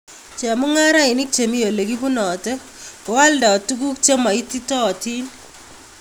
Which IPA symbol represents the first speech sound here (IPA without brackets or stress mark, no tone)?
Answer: t͡ʃ